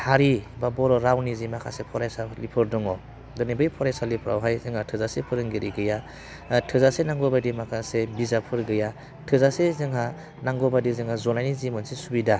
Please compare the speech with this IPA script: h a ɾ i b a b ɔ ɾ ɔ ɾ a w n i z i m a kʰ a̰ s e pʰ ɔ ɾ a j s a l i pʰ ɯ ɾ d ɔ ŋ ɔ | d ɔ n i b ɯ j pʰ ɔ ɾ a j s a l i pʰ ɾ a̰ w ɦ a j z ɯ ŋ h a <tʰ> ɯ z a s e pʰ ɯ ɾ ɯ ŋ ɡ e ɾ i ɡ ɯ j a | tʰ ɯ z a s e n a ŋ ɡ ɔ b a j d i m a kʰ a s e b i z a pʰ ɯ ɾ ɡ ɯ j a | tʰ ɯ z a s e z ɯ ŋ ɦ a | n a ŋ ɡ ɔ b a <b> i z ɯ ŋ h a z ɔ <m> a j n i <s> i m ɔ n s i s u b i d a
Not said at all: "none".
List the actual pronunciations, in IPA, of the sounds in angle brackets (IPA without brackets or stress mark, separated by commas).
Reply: tʰ, d, n, z